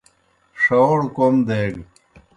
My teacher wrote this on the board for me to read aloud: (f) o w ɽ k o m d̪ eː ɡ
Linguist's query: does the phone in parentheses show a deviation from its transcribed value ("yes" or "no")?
yes